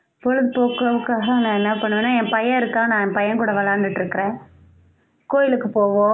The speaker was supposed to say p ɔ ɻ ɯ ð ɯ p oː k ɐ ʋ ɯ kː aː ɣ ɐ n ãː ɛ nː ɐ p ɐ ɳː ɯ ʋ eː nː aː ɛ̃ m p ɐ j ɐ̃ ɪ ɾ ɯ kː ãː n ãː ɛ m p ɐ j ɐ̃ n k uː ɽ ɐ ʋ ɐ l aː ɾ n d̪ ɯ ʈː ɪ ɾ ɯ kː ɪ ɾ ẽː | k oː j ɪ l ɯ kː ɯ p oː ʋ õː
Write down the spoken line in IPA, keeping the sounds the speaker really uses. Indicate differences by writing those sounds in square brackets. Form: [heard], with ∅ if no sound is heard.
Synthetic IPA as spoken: p ɔ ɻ ɯ ð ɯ p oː k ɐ ʋ ɯ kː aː ɣ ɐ n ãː ɛ nː ɐ p ɐ ɳː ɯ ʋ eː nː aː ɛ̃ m p ɐ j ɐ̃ ɪ ɾ ɯ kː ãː n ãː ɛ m p ɐ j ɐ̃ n k uː ɽ ɐ ʋ ɐ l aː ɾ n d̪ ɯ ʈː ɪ ɾ ɯ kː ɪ ɾ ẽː | k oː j ɪ l ɯ kː ɯ p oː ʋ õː